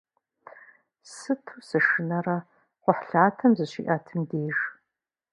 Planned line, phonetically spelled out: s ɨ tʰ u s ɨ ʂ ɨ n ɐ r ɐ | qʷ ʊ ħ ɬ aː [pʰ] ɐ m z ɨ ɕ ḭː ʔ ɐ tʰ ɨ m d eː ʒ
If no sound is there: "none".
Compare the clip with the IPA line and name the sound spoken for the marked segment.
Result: tʰ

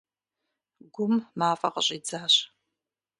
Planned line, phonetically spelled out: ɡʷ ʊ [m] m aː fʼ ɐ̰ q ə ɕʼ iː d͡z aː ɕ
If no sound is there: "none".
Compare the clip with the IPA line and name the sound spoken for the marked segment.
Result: m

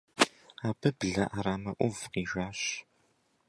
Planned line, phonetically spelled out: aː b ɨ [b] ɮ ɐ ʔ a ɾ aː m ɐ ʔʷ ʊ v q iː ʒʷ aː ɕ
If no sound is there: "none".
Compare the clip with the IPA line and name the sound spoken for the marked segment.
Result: b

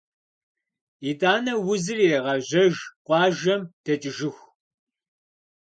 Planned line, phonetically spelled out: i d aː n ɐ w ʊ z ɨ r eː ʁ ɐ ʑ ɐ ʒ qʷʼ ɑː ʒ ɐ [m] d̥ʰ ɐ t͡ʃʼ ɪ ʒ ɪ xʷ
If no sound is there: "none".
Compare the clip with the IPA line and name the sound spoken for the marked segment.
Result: m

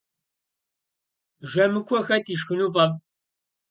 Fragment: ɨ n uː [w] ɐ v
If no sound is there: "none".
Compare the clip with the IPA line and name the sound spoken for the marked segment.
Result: v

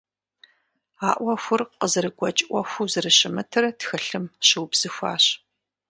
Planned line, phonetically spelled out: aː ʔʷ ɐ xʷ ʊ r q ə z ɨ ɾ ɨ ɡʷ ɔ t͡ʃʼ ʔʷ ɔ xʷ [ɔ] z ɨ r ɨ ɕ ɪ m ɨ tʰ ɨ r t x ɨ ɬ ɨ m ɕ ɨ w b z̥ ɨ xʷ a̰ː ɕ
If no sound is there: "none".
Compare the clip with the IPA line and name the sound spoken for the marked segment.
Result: u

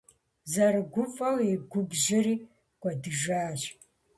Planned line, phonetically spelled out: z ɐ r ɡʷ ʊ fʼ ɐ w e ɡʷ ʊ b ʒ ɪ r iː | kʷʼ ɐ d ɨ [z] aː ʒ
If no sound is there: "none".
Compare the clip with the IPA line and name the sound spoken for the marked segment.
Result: ʒ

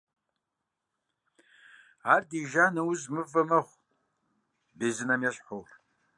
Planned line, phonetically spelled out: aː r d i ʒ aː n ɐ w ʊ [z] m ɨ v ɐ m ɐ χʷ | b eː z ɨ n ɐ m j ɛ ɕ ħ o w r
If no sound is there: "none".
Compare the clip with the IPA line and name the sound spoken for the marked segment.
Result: z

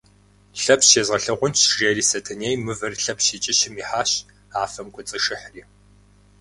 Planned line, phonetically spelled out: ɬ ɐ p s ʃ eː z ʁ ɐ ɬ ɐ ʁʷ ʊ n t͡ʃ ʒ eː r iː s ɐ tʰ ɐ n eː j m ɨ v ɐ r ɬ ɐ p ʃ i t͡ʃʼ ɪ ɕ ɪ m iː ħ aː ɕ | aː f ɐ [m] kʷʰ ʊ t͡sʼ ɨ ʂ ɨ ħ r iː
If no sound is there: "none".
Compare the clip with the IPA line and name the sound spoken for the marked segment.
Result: m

